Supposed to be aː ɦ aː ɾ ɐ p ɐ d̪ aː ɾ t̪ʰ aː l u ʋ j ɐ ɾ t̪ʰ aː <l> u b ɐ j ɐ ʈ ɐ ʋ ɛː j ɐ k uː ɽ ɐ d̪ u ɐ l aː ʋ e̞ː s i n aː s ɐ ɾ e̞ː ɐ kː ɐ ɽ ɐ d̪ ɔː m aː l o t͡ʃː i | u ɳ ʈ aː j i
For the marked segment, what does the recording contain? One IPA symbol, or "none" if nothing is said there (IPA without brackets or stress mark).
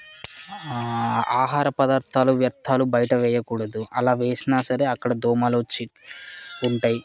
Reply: l